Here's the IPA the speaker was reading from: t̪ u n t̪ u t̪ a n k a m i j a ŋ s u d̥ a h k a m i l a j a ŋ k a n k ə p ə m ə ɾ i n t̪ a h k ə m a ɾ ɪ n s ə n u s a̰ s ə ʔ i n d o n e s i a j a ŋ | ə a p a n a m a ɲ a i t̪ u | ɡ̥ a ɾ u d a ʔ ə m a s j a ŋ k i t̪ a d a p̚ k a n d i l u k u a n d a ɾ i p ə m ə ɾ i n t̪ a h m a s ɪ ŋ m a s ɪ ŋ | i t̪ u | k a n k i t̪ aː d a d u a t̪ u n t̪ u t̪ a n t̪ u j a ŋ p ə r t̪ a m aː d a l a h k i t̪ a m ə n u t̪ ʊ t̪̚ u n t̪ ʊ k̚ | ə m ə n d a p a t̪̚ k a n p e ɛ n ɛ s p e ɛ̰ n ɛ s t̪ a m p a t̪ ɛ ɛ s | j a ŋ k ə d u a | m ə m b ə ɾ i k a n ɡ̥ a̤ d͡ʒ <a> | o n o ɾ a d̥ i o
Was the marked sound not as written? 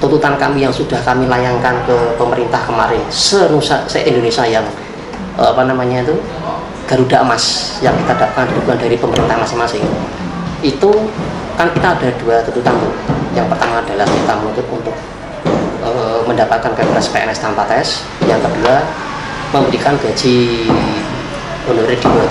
yes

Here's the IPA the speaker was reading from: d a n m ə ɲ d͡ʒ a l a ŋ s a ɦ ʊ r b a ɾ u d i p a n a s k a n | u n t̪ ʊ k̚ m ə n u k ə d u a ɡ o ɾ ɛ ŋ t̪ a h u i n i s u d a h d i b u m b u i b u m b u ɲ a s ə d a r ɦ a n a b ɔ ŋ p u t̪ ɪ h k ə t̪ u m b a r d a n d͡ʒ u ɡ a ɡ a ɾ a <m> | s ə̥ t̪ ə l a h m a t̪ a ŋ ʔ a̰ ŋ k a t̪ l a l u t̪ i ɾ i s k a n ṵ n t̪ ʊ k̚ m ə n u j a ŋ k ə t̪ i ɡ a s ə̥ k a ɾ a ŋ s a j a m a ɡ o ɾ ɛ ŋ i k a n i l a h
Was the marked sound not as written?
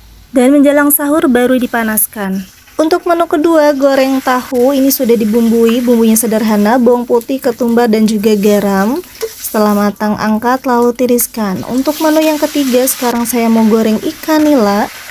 no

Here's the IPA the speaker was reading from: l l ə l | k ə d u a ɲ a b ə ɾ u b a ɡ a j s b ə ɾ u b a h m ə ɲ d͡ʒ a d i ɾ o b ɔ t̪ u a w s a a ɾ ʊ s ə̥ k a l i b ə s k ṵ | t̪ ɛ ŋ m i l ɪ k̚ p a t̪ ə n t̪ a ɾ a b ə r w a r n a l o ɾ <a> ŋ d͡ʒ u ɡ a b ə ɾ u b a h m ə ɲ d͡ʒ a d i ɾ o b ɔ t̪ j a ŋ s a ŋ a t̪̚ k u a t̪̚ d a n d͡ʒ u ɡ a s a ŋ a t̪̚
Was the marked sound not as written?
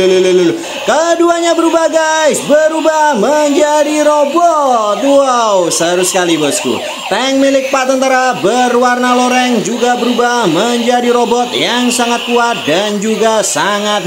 yes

